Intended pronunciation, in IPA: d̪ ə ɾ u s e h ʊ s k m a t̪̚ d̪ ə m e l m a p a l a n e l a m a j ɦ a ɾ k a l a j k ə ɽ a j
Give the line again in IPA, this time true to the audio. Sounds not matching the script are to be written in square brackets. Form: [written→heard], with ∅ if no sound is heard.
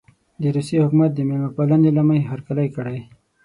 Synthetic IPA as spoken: d̪ ə ɾ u s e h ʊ [s→∅] k m a t̪̚ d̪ ə m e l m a p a l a n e l a m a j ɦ a ɾ k a l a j k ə ɽ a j